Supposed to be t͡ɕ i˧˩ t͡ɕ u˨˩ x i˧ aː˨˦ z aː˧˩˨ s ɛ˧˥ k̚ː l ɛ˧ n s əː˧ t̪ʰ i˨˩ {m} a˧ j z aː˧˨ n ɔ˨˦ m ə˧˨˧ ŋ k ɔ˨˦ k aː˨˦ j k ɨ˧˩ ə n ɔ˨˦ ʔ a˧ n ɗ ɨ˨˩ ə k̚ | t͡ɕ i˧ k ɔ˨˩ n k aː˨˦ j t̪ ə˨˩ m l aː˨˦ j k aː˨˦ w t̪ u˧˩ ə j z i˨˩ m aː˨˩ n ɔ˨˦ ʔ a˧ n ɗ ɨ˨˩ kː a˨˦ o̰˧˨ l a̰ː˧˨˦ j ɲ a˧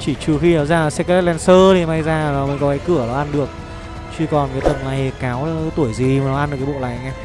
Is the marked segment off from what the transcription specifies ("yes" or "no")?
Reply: no